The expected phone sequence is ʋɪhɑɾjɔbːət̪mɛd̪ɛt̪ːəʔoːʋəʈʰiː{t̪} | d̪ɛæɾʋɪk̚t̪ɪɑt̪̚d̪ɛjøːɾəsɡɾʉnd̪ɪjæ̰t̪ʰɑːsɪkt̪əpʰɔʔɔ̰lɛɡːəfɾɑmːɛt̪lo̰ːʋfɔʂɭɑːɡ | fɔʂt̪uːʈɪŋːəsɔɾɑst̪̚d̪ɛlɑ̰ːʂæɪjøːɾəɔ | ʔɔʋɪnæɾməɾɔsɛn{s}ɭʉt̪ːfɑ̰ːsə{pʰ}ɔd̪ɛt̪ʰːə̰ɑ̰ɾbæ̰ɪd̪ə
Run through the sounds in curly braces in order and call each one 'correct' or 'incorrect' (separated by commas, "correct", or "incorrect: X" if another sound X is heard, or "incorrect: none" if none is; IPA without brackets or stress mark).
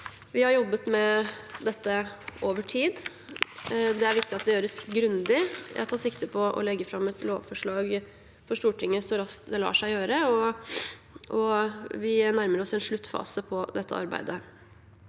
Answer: incorrect: d̪, incorrect: ʂ, correct